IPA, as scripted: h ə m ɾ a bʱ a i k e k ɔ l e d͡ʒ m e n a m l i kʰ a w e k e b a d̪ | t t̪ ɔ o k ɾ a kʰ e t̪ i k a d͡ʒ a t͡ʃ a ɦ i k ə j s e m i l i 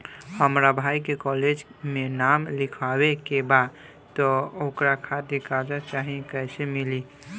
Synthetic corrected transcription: h ə m ɾ a bʱ a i k e k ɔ l e d͡ʒ m e n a m l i kʰ a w e k e b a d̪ | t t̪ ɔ o k ɾ a kʰ a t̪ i k a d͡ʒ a t͡ʃ a ɦ i k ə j s e m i l i